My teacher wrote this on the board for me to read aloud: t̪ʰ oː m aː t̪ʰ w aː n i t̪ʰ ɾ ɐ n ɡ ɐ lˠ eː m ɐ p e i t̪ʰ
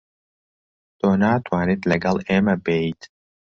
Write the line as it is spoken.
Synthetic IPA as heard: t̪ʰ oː n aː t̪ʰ w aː n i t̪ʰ l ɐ ɡ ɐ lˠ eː m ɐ b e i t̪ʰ